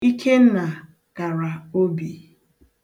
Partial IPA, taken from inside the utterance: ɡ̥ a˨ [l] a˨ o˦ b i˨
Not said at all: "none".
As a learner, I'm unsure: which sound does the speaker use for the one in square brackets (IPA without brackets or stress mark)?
ɾ